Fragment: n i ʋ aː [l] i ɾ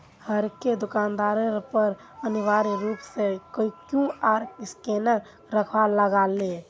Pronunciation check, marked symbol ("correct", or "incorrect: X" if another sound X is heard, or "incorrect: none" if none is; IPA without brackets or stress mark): incorrect: ɾ